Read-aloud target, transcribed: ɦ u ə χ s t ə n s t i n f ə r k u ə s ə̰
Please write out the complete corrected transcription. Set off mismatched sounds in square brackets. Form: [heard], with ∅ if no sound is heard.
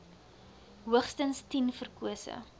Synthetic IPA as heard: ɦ u ə χ s t ə n s t i n f ə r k u ə s ə̰